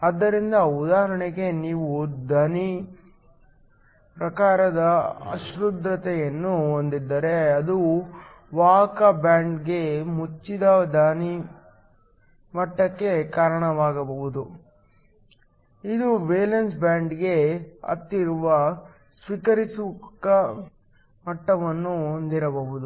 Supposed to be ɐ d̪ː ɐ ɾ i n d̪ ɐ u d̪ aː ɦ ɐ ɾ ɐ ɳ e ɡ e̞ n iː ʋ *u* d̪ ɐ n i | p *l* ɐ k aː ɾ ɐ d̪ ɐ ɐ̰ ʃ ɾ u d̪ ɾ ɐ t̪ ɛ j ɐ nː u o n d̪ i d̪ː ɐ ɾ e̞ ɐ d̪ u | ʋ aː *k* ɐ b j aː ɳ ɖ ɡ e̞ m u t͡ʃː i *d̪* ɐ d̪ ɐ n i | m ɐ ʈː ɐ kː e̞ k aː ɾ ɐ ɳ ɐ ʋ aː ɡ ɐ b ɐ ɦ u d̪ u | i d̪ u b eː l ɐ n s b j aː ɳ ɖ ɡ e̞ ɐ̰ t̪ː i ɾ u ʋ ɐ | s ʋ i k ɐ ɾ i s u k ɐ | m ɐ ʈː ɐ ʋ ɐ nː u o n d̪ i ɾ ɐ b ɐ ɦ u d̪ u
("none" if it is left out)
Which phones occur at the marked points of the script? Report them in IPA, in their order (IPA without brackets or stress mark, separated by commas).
u, ɾ, k, d̪